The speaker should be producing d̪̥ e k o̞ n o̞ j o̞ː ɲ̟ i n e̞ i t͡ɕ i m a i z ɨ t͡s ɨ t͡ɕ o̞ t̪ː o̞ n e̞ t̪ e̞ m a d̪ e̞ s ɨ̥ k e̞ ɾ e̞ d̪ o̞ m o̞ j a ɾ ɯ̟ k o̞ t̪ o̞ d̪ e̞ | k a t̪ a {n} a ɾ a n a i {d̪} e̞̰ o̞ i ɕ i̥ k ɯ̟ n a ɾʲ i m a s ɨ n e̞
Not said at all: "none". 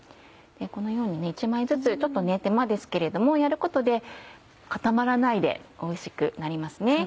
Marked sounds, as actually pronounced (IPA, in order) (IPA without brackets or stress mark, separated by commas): m, d̪